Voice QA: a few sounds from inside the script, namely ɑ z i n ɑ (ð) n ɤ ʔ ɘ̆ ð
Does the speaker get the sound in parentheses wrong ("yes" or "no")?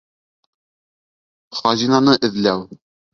yes